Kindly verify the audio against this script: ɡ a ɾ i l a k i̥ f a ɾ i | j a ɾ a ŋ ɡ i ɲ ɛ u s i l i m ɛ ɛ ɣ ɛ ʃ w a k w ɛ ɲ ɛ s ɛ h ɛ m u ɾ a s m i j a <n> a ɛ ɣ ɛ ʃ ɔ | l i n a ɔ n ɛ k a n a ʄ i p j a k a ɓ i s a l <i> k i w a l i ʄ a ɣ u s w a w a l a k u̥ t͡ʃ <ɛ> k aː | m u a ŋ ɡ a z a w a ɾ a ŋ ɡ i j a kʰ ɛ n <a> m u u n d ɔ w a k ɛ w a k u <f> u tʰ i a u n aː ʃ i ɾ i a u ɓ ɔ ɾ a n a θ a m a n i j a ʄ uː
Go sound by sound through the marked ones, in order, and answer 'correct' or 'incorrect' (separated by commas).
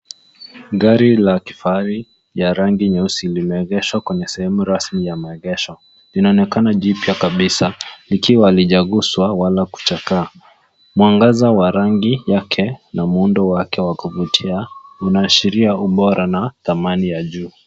incorrect, correct, incorrect, correct, incorrect